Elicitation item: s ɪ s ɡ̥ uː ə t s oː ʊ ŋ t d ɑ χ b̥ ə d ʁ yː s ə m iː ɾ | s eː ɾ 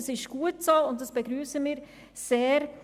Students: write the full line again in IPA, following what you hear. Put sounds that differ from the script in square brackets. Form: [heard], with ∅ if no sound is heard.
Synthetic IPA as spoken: s ɪ [ʃ] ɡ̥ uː ə t s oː ʊ [n] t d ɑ [s] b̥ ə [ɡ] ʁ yː s ə m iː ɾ | s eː ɾ